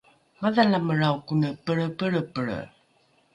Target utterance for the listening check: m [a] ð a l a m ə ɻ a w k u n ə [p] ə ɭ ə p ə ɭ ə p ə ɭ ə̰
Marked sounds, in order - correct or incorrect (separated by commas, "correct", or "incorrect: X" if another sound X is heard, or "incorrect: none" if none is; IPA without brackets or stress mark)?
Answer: correct, correct